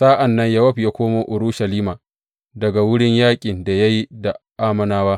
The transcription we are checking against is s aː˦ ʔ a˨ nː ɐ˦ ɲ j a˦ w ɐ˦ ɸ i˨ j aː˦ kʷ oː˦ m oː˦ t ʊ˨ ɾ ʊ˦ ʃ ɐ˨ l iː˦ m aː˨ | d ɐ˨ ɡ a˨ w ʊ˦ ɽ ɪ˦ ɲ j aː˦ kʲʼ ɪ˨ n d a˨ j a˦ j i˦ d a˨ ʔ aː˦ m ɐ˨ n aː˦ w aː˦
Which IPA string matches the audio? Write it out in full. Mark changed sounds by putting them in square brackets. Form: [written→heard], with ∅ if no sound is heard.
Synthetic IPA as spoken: s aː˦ ʔ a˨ nː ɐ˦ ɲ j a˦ w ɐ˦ ɸ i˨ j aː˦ kʷ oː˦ m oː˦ [t→ʔ] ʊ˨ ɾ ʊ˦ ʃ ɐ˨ l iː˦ m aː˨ | d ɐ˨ ɡ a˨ w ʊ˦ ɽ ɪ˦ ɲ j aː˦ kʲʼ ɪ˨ n d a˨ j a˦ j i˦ d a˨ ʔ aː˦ m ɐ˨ n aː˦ w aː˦